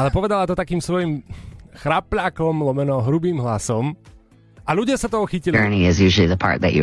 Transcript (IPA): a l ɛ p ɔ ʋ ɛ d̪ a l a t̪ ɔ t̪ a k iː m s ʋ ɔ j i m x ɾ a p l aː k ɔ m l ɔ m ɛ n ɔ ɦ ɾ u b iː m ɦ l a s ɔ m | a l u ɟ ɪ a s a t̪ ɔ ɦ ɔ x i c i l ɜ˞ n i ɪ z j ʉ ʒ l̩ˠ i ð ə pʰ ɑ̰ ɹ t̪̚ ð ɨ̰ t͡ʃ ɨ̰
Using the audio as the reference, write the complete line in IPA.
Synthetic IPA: a l ɛ p ɔ ʋ ɛ d̪ a l a t̪ ɔ t̪ a k iː m s ʋ ɔ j i m x ɾ a p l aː k ɔ m l ɔ m ɛ n ɔ ɦ ɾ u b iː m ɦ l a s ɔ m | a l u ɟ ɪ a s a t̪ ɔ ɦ ɔ x i c i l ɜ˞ n i ɪ z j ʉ ʒ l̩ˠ i ð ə pʰ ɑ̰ ɹ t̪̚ ð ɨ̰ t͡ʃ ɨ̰